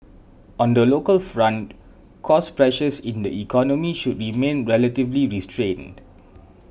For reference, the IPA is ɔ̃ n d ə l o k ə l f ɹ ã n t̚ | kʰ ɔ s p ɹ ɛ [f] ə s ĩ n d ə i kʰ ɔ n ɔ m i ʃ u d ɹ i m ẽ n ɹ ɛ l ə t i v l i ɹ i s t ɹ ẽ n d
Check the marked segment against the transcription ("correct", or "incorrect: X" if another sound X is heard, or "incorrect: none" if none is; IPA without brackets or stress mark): incorrect: ʃ